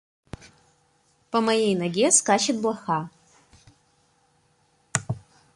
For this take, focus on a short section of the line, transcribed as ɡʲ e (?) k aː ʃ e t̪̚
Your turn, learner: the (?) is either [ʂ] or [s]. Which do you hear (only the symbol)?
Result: s